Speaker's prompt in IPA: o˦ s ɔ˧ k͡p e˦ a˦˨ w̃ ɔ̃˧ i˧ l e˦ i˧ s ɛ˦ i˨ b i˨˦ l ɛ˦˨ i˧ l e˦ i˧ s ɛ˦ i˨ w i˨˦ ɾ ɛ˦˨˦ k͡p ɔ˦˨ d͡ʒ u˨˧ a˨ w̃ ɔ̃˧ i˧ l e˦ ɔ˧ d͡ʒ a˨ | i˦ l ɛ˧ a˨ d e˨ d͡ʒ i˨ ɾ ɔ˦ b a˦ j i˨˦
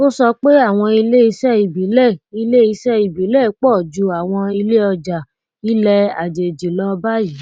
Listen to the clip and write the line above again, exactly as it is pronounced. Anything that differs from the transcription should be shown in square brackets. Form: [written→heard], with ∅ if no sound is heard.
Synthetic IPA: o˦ s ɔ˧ k͡p e˦ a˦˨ w̃ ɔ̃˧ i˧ l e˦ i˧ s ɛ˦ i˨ b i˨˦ l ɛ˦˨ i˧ l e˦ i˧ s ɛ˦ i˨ [w→b] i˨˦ [ɾ→l] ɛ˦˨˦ k͡p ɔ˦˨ d͡ʒ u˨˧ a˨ w̃ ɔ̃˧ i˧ l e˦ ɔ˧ d͡ʒ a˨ | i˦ l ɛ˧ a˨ [d→d͡ʒ] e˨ d͡ʒ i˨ [ɾ→l] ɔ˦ b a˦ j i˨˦